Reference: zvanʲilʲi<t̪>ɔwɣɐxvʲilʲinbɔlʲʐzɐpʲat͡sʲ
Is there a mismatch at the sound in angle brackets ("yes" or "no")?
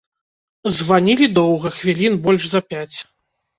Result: yes